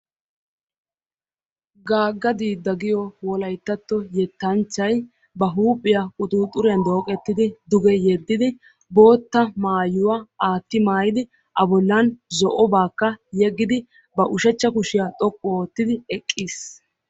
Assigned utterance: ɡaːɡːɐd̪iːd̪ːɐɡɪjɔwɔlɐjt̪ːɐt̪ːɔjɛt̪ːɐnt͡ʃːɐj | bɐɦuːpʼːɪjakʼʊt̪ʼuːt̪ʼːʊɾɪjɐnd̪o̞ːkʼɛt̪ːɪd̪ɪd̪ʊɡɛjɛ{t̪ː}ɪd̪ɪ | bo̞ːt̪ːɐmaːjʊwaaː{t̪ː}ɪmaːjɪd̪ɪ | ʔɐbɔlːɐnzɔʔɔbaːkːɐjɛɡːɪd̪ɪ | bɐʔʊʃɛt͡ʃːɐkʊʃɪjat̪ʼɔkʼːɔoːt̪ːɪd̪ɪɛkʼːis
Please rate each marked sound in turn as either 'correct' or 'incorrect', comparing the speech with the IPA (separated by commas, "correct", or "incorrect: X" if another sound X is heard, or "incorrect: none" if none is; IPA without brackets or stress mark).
incorrect: d̪ː, correct